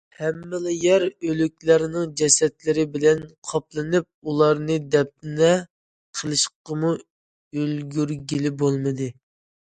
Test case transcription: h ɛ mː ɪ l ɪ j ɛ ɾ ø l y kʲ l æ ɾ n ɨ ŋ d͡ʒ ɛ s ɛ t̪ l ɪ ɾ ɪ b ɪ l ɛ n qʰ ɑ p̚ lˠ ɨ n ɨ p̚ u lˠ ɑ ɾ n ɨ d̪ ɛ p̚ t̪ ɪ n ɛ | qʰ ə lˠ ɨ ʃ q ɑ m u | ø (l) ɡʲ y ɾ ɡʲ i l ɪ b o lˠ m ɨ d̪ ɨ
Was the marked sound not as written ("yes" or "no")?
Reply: no